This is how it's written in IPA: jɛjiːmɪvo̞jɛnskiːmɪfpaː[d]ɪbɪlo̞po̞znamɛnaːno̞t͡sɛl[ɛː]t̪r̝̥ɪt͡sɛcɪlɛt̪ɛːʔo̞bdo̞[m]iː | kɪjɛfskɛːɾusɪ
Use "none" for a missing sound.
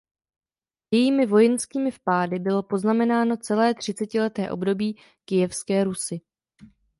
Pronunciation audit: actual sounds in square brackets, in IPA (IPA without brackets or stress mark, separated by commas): d, ɛː, b